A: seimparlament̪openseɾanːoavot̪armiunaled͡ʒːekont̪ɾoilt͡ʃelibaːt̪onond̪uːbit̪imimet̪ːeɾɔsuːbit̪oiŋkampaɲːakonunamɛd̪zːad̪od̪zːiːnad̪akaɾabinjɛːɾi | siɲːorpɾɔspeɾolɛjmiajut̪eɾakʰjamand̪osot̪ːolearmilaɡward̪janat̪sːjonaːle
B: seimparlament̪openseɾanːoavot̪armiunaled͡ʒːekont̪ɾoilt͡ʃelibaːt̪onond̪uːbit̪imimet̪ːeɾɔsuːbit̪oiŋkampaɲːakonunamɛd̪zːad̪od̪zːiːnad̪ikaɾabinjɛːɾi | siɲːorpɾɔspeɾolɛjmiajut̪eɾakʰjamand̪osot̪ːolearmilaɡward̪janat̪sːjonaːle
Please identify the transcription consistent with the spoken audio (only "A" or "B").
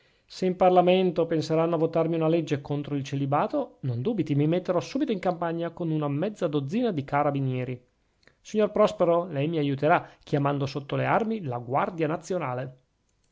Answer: B